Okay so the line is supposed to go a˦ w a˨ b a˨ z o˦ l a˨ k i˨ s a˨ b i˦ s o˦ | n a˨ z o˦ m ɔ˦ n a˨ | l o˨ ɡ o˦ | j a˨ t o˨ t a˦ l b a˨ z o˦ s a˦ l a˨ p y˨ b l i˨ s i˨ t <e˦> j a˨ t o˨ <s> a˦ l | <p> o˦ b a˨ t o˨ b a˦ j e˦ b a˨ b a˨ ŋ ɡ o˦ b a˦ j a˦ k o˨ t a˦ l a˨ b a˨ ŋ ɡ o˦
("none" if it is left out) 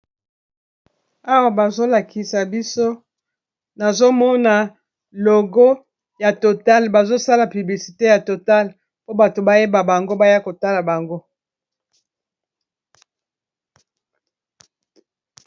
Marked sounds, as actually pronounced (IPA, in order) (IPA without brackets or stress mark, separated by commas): e˦, t, p